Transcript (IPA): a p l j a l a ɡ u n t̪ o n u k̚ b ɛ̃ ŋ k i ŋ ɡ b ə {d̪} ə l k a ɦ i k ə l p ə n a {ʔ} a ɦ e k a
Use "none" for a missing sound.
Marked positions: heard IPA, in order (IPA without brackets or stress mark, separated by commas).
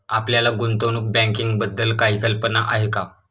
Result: d̪ː, ʔ